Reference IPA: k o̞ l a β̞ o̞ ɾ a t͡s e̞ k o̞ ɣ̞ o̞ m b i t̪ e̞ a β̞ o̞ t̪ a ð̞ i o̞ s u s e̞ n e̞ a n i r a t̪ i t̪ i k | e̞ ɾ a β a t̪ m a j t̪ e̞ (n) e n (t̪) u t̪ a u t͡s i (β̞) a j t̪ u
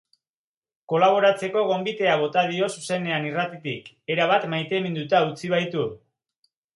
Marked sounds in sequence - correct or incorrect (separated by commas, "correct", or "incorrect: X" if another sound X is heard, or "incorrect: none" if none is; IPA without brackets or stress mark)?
incorrect: m, incorrect: d̪, correct